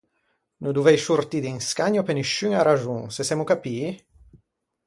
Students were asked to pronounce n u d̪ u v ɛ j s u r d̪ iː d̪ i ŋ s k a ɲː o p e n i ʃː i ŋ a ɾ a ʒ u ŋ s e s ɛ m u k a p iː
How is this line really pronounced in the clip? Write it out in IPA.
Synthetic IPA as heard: n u d̪ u v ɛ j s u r t̪ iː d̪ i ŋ s k a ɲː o p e n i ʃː y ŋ a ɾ a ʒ u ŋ s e s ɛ m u k a p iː